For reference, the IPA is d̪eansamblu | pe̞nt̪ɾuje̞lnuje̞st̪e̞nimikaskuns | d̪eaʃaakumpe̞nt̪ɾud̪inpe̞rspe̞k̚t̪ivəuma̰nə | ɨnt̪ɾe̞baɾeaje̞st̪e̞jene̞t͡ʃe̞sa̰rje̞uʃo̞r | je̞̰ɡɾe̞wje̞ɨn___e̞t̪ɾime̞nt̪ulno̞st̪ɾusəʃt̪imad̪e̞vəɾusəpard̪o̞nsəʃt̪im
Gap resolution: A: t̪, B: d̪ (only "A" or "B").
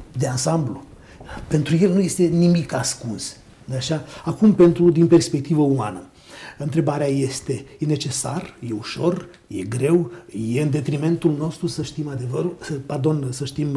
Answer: B